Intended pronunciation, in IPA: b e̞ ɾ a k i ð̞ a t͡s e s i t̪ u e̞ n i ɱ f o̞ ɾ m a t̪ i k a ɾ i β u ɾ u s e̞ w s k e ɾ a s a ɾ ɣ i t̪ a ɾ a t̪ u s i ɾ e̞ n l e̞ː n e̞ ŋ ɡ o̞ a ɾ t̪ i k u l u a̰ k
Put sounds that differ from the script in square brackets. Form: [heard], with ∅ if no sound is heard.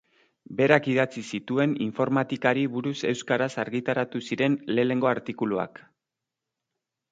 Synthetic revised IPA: b e̞ ɾ a k i ð̞ a t͡s [i] s i t̪ u e̞ n i ɱ f o̞ ɾ m a t̪ i k a ɾ i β u ɾ u s e̞ w s k [a] ɾ a s a ɾ ɣ i t̪ a ɾ a t̪ u s i ɾ e̞ n l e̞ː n e̞ ŋ ɡ o̞ a ɾ t̪ i k u l u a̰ k